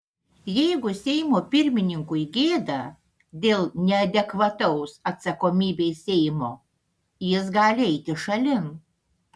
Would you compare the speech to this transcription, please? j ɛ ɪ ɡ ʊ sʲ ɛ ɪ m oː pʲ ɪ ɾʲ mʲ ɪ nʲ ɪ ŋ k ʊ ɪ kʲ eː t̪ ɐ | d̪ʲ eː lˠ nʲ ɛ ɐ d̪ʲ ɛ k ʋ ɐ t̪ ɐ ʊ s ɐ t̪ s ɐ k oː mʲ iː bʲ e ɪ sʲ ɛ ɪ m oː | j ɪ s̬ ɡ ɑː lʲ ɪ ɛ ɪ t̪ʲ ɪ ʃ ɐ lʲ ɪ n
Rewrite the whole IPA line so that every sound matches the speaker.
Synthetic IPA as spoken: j ɛ ɪ ɡ ʊ sʲ ɛ ɪ m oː pʲ ɪ ɾʲ mʲ ɪ nʲ ɪ ŋ k ʊ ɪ ɡʲ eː d̪ ɐ | d̪ʲ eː lˠ nʲ ɛ ɐ d̪ʲ ɛ k ʋ ɐ t̪ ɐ ʊ s ɐ t̪ s ɐ k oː mʲ iː bʲ e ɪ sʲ ɛ ɪ m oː | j ɪ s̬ ɡ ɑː lʲ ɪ ɛ ɪ t̪ʲ ɪ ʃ ɐ lʲ ɪ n